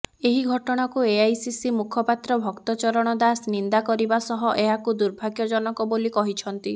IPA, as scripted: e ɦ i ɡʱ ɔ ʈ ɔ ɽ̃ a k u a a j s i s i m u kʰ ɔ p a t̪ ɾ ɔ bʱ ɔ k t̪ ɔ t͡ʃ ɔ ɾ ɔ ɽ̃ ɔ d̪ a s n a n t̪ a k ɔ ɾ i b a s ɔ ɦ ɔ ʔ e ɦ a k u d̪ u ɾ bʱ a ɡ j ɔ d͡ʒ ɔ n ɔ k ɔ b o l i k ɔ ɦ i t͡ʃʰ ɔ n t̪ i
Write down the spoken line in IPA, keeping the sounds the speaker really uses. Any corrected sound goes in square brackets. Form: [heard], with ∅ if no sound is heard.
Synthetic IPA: e ɦ i ɡʱ ɔ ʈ ɔ ɽ̃ a k u [e] a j s i s i m u kʰ ɔ p a t̪ ɾ ɔ bʱ ɔ k t̪ ɔ t͡ʃ ɔ ɾ ɔ ɽ̃ ɔ d̪ a s n [i] n [d̪] a k ɔ ɾ i b a s ɔ ɦ ɔ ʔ e ɦ a k u d̪ u ɾ bʱ a ɡ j ɔ d͡ʒ ɔ n ɔ k ɔ b o l i k ɔ ɦ i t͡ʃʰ ɔ n t̪ i